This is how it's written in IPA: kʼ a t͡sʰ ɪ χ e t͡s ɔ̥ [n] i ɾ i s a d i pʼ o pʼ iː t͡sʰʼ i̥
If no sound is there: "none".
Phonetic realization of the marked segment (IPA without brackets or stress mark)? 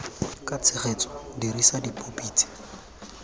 d